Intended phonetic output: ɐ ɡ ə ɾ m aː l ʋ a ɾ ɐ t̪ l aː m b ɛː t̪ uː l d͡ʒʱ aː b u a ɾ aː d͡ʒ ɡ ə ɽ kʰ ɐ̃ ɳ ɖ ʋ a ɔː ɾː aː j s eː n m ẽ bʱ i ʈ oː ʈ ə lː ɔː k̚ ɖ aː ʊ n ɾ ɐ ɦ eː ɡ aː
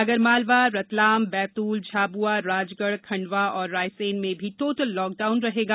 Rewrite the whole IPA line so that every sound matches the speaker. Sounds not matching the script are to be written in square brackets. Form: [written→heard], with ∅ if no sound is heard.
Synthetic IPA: ɐ ɡ ə ɾ m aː l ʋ a ɾ ɐ t̪ l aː m b ɛː t̪ uː l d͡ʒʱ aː b u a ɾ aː d͡ʒ ɡ ə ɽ kʰ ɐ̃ ɳ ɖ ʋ a ɔː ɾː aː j s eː n m ẽ bʱ i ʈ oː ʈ ə lː ɔː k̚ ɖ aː ʊ n ɾ ɐ ɦ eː ɡ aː